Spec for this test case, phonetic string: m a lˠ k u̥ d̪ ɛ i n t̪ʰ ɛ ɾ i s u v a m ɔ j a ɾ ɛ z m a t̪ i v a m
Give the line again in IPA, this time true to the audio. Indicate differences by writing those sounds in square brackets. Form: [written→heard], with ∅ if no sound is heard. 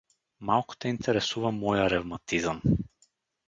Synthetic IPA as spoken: m a lˠ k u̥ [d̪→t̪] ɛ i n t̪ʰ ɛ ɾ [i→ɛ] s u v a m ɔ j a ɾ ɛ [z→v] m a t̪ i [v→z] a m